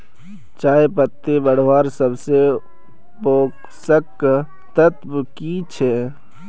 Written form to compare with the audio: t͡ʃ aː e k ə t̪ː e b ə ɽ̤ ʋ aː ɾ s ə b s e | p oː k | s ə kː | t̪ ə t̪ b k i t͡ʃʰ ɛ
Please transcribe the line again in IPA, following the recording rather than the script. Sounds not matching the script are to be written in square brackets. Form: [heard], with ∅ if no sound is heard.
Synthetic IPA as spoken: t͡ʃ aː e [p] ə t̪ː e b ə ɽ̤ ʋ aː ɾ s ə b s e | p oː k | s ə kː | t̪ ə t̪ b k i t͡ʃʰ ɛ